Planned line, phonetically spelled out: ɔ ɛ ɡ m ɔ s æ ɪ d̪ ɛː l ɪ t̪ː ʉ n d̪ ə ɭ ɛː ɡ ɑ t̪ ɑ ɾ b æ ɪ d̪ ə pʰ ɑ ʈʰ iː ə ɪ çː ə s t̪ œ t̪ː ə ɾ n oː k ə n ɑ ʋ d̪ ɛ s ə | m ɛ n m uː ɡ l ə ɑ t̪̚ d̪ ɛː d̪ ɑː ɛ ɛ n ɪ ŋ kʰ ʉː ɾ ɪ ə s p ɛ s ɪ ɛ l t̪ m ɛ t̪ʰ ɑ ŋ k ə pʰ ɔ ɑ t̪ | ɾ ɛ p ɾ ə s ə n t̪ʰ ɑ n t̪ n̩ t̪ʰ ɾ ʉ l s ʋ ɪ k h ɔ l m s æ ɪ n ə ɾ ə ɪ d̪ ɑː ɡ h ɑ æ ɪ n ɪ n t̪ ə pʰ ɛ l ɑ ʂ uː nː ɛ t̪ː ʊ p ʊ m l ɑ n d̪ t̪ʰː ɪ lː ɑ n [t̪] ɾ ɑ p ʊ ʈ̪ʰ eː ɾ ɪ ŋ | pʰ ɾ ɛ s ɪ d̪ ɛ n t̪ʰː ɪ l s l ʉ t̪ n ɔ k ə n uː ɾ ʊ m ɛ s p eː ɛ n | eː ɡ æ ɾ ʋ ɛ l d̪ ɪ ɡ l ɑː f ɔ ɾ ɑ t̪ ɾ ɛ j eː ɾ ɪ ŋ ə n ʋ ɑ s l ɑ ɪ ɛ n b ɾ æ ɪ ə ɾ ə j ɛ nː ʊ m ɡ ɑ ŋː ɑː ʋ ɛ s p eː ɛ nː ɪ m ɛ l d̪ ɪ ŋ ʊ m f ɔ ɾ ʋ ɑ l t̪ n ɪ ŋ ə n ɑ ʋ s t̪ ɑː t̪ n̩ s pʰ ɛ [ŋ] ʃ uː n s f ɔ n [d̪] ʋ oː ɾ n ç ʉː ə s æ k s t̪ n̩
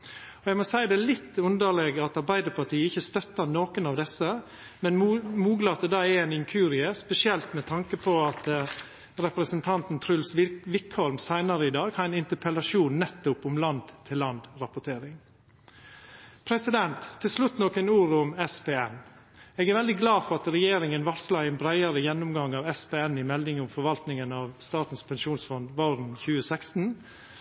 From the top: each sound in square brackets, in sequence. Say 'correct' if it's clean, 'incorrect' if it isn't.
incorrect, incorrect, correct

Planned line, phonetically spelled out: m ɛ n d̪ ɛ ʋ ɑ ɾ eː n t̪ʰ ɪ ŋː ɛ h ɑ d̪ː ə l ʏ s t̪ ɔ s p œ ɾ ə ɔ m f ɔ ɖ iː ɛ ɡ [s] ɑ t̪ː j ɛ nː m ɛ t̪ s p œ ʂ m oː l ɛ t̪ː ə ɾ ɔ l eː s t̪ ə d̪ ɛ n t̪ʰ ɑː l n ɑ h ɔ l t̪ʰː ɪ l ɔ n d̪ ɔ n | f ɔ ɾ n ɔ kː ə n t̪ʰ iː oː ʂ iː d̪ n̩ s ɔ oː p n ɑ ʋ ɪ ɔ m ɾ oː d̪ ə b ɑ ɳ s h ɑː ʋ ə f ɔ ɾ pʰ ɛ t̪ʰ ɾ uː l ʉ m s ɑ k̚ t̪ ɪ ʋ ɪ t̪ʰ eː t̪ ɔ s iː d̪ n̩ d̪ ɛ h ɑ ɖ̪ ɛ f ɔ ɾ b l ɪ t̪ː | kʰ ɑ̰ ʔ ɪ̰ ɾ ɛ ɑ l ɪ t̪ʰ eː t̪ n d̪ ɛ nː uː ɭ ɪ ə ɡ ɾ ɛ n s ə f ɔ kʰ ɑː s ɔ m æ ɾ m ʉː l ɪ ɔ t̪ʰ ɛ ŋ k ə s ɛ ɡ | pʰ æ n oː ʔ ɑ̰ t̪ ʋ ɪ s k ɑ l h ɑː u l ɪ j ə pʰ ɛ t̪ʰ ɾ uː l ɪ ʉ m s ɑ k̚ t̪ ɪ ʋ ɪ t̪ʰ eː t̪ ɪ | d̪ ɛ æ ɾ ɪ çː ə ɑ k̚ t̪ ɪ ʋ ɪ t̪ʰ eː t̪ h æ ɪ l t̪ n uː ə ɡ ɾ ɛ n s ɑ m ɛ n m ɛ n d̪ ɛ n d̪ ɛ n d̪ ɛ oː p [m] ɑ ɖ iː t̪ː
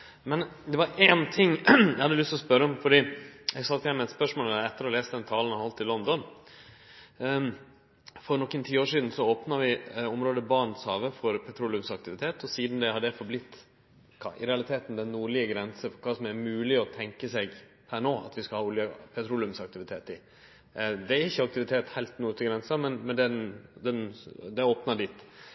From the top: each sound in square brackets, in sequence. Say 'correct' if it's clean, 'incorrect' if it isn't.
correct, incorrect

